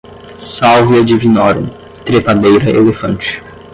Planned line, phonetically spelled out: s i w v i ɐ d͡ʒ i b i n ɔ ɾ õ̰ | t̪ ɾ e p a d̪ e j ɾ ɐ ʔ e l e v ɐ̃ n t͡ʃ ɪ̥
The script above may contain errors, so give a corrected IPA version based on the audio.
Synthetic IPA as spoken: s a w v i ɐ d͡ʒ i v i n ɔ ɾ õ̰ | t̪ ɾ e p a d̪ e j ɾ ɐ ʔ e l e f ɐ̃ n t͡ʃ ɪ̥